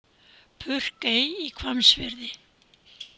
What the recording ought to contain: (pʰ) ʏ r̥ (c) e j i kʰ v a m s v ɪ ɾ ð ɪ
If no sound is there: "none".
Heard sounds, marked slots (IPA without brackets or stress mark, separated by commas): pʰ, k